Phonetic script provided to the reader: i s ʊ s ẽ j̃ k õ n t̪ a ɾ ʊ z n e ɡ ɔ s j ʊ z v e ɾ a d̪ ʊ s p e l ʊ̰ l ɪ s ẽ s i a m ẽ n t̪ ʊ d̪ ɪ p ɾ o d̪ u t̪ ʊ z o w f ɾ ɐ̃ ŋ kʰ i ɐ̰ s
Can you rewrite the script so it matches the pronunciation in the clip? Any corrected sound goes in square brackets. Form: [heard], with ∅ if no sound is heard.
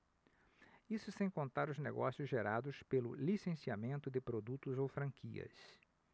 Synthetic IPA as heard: i s ʊ s ẽ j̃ k õ n t̪ a ɾ ʊ z n e ɡ ɔ s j ʊ z [ʒ] e ɾ a d̪ ʊ s p e l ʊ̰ l [i] s ẽ s i a m ẽ n t̪ ʊ d̪ ɪ p ɾ o d̪ u t̪ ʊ z o w f ɾ ɐ̃ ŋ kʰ i ɐ̰ s